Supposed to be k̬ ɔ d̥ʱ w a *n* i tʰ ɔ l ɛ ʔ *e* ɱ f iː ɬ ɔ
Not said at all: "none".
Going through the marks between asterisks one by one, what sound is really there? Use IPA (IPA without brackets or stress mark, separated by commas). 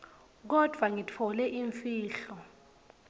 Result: ŋ, i